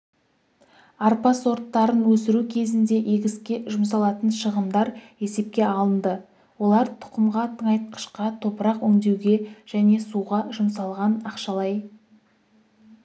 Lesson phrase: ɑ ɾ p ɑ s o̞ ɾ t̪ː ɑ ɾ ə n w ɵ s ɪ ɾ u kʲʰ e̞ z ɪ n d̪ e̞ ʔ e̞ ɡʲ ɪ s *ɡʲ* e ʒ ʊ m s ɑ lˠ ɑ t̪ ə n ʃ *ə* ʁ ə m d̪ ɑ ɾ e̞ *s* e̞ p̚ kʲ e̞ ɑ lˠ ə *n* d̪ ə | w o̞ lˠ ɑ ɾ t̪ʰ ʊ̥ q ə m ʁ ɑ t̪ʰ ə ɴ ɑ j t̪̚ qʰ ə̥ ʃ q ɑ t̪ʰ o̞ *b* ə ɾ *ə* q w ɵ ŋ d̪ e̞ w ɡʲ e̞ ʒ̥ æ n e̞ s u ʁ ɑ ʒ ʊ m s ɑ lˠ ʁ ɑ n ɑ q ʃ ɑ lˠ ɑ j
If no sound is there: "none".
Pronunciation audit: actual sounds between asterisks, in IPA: kʲ, ə, s, n, p, ɑ

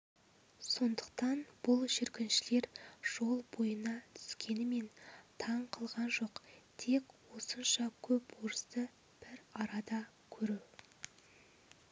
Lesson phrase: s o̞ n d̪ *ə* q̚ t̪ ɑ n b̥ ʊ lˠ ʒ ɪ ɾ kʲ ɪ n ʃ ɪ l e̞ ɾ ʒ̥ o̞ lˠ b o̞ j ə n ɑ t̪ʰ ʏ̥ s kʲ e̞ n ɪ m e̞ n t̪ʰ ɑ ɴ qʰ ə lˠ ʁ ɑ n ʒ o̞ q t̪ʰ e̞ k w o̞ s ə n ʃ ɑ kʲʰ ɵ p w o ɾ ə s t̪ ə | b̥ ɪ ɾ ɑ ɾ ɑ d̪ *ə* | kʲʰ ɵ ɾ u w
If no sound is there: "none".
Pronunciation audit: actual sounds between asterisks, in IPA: ə, ɑ

